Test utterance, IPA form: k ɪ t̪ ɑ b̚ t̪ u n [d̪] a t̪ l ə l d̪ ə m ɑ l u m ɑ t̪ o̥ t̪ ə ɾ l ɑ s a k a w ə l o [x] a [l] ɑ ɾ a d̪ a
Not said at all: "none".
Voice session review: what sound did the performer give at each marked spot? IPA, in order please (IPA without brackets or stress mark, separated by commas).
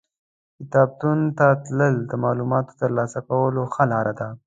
t̪, x, l